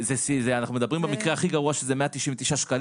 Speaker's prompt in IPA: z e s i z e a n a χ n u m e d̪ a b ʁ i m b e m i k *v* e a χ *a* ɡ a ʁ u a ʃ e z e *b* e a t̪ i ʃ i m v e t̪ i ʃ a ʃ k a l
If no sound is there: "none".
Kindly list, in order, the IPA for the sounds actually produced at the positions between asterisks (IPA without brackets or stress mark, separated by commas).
ʁ, i, m